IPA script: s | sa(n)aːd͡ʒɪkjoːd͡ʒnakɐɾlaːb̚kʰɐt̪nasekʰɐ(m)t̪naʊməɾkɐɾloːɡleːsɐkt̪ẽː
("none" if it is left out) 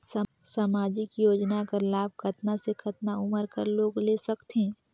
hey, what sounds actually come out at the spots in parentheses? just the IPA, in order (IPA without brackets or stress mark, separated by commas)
m, none